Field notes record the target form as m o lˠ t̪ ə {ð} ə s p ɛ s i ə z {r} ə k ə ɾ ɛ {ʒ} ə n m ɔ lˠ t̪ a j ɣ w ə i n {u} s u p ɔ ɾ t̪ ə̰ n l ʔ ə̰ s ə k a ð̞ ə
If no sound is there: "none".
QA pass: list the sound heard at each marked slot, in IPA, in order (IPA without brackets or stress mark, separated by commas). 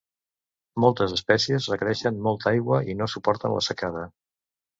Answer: z, r, ʃ, o